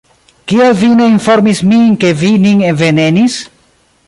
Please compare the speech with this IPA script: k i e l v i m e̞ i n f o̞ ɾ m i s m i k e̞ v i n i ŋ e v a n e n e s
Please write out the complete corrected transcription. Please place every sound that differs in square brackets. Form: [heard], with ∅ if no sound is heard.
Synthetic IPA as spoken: k i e l v i [n] e̞ i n f o̞ ɾ m i s m i k e̞ v i n i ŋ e v [e] n e n [i] s